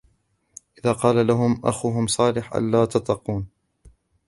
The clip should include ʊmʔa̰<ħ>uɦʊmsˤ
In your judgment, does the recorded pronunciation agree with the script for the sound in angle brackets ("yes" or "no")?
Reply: no